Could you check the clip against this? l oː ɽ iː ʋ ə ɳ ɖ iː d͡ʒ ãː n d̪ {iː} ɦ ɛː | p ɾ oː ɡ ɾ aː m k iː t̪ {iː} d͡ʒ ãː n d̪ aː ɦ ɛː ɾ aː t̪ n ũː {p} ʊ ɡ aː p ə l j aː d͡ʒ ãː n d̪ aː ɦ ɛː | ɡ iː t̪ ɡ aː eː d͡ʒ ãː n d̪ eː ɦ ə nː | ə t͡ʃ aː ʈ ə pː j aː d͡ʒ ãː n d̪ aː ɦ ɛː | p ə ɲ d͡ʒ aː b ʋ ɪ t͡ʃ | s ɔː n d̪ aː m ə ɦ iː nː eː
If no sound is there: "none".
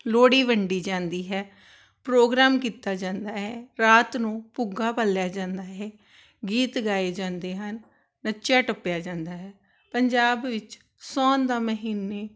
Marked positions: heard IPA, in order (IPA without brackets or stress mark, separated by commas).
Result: iː, aː, p